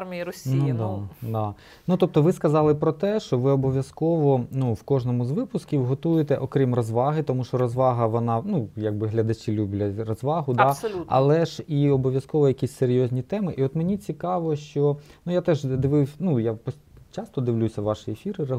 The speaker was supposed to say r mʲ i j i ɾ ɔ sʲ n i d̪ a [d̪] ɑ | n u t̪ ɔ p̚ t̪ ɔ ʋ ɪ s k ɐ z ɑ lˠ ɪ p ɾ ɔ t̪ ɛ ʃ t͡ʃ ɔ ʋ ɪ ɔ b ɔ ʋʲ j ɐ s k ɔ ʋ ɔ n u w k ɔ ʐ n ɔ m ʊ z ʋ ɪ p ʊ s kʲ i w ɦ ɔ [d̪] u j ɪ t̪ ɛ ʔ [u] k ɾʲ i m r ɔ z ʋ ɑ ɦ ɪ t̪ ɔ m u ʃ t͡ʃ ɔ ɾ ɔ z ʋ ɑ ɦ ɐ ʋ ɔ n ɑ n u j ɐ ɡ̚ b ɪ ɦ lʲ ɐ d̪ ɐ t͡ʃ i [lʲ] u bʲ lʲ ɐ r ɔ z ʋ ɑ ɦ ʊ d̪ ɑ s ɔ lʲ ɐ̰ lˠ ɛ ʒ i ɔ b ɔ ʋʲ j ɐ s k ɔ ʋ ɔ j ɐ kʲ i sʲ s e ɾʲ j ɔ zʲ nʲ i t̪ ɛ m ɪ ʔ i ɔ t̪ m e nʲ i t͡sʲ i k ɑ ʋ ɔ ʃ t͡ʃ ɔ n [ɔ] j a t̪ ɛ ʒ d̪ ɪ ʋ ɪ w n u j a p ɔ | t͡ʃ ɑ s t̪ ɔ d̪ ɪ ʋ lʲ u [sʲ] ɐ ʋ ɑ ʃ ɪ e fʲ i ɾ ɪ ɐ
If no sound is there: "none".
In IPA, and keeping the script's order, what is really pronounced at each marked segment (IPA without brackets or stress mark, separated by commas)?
d̪, t̪, ɔ, lʲ, u, sʲ